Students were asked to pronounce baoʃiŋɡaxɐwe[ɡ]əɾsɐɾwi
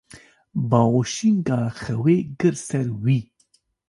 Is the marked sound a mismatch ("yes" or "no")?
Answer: no